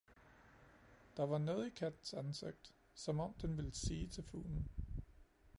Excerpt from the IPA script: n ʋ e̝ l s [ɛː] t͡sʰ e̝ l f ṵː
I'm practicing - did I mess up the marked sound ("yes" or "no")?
yes